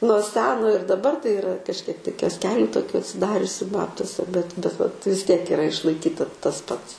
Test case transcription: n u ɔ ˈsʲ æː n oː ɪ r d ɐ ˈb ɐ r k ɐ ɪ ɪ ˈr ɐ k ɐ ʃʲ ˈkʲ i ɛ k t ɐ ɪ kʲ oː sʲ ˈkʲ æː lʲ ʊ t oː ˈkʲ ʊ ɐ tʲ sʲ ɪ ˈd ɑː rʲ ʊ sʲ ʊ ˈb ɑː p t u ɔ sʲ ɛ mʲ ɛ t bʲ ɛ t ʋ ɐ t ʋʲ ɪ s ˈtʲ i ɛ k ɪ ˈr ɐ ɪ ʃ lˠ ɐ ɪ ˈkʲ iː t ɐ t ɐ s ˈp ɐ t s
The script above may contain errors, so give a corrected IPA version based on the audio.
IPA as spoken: n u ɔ ˈsʲ æː n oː ɪ r d ɐ ˈb ɐ r t ɐ ɪ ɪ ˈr ɐ k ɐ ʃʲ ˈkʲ i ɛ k t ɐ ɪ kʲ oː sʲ ˈkʲ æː lʲ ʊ t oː ˈkʲ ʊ ɐ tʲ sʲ ɪ ˈd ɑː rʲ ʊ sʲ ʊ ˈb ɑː p t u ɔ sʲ ɛ bʲ ɛ t bʲ ɛ t ʋ ɐ t ʋʲ ɪ s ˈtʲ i ɛ k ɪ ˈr ɐ ɪ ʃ lˠ ɐ ɪ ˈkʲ iː t ɐ t ɐ s ˈp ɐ t s